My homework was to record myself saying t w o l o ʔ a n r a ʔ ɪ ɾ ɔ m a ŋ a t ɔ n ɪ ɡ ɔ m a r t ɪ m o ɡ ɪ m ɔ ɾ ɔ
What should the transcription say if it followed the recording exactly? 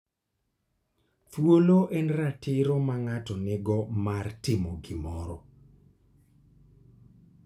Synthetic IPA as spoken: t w o l o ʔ ɛ n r a t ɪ ɾ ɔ m a ŋ a t ɔ n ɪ ɡ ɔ m a r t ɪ m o ɡ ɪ m ɔ ɾ ɔ